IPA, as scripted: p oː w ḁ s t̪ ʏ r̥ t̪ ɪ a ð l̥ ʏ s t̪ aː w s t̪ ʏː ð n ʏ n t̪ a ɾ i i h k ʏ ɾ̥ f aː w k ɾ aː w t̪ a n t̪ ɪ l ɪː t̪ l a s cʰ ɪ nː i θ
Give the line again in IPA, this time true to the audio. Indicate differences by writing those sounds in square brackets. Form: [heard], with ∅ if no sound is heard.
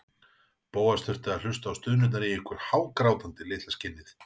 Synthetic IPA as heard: p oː w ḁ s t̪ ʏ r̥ t̪ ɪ a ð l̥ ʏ s t̪ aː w s t̪ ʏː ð n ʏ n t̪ a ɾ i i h k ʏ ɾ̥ [h] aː w k ɾ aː w t̪ a n t̪ ɪ l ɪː t̪ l a s [c] ɪ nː [ɪ] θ